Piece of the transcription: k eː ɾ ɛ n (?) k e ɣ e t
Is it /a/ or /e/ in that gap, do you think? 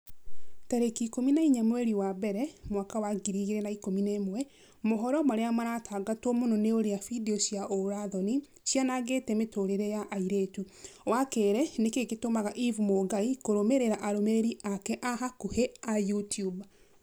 e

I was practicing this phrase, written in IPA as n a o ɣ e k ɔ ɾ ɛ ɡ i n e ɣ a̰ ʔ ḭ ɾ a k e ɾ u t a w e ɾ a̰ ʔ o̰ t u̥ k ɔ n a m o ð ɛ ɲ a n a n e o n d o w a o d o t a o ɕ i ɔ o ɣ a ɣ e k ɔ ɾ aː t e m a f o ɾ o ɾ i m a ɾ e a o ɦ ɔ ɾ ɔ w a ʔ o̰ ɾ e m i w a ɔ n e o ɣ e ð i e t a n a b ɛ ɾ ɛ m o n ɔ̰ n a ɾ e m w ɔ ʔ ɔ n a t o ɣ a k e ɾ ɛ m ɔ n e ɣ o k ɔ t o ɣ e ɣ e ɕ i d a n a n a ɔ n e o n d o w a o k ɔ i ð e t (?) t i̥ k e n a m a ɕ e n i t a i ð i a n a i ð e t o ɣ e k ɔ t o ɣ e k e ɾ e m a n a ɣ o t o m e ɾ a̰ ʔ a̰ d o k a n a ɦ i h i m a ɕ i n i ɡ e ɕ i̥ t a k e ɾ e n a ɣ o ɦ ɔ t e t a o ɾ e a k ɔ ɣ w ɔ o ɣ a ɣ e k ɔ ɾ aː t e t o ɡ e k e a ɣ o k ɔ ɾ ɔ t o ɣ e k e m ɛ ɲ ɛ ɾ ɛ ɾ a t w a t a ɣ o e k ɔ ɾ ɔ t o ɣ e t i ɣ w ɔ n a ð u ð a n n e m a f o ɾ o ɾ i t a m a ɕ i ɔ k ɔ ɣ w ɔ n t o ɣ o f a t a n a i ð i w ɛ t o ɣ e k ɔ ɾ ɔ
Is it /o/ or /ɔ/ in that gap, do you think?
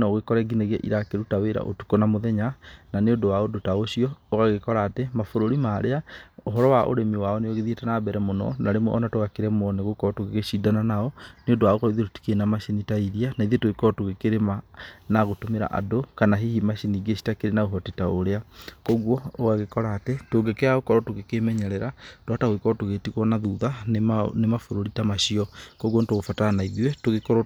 o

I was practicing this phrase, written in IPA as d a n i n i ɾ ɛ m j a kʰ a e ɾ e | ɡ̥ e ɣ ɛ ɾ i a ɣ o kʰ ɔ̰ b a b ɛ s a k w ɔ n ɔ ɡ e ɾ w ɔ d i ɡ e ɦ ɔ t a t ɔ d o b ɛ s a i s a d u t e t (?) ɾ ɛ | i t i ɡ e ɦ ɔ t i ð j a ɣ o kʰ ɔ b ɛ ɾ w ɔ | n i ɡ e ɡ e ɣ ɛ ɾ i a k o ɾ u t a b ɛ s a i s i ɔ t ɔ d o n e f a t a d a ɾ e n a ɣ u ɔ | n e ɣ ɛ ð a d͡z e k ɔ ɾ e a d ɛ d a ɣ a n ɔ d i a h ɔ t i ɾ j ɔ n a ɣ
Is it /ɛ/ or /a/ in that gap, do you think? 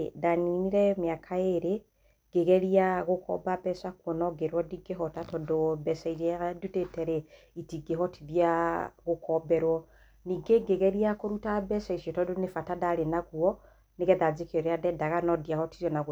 ɛ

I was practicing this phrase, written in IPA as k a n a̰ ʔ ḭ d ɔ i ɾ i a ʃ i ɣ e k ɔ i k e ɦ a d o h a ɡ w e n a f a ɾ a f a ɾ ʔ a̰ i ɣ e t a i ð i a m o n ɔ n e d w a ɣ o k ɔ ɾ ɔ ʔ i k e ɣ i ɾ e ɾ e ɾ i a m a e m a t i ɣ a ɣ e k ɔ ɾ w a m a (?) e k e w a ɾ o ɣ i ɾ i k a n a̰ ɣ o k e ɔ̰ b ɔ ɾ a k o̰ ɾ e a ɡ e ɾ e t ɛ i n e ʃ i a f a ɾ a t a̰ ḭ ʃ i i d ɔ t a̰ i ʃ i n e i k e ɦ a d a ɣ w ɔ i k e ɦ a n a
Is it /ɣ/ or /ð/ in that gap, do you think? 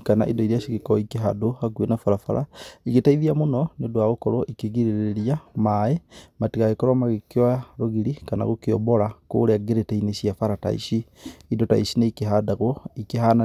ɣ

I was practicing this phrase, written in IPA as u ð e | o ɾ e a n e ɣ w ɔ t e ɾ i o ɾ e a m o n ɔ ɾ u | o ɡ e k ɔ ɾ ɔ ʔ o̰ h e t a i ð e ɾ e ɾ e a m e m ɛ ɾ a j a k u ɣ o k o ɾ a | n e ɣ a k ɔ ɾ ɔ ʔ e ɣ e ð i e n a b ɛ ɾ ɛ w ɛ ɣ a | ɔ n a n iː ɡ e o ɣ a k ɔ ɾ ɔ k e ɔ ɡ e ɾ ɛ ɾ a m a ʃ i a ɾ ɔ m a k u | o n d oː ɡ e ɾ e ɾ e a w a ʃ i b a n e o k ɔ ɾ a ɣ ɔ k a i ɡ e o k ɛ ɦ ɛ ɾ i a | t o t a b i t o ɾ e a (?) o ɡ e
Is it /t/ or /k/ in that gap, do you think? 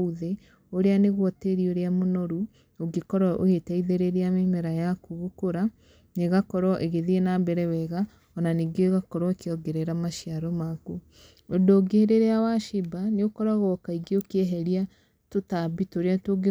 t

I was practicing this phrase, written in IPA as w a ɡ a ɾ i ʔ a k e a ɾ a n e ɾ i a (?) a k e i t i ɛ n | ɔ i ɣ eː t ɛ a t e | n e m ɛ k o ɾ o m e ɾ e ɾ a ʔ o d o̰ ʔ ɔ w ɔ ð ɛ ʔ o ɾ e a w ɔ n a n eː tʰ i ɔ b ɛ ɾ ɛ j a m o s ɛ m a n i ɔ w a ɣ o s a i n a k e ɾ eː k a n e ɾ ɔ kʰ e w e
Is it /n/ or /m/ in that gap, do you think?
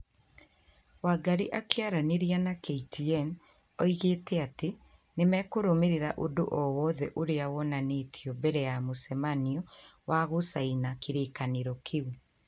n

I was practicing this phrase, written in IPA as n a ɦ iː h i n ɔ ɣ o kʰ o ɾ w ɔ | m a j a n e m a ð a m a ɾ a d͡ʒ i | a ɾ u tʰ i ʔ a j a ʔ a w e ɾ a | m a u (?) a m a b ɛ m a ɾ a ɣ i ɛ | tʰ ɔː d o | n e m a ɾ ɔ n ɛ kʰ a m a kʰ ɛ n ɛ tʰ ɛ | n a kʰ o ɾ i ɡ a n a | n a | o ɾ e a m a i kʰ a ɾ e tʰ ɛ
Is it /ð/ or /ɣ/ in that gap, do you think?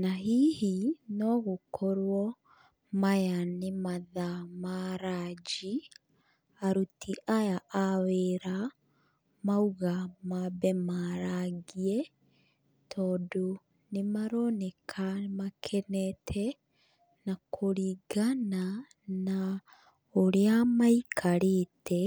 ɣ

